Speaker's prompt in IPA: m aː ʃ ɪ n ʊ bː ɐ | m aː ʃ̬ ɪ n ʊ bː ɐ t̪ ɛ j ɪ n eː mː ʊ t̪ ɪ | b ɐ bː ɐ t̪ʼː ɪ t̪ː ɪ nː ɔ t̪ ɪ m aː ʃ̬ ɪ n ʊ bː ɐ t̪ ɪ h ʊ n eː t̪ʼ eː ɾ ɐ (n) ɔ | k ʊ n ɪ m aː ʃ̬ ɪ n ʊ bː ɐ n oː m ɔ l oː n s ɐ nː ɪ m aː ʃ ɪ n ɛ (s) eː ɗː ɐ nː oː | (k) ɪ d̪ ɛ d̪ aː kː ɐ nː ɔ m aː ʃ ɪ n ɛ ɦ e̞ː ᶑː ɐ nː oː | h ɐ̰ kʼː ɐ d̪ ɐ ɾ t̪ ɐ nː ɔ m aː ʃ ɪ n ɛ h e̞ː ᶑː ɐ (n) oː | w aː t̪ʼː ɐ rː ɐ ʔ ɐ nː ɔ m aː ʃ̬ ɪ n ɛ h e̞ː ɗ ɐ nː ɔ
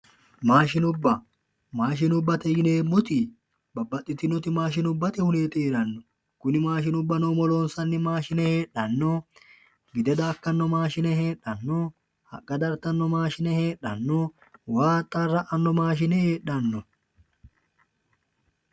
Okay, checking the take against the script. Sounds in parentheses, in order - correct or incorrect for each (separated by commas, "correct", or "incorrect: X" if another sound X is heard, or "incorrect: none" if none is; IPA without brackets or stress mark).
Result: incorrect: nː, incorrect: h, incorrect: ɡ, incorrect: nː